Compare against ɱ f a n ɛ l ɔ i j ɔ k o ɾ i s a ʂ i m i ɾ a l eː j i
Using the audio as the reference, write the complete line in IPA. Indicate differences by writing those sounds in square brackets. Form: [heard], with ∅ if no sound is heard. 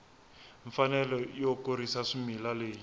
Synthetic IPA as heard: ɱ f a n ɛ l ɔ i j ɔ k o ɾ i s a ʂ i m i [l] a l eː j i